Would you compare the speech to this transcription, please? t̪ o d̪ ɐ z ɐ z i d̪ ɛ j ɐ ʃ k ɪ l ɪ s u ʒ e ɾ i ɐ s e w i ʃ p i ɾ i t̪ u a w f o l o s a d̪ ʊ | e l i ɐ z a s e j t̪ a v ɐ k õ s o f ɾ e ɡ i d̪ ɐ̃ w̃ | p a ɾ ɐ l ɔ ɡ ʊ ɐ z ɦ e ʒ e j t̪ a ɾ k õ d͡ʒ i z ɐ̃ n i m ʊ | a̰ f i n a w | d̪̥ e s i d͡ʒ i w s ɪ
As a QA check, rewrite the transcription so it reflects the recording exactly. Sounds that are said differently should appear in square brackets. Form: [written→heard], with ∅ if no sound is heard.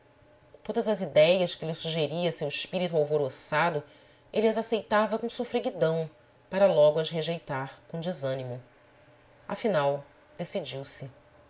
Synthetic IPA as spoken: t̪ o d̪ ɐ z ɐ z i d̪ ɛ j ɐ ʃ k ɪ l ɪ s u ʒ e ɾ i ɐ s e w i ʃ p i ɾ i t̪ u a w [f→v] o [l→ɾ] o s a d̪ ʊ | e l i ɐ z a s e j t̪ a v ɐ k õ s o f ɾ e ɡ i d̪ ɐ̃ w̃ | p a ɾ ɐ l ɔ ɡ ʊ ɐ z ɦ e ʒ e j t̪ a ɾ k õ d͡ʒ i z ɐ̃ n i m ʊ | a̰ f i n a w | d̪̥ e s i d͡ʒ i w s ɪ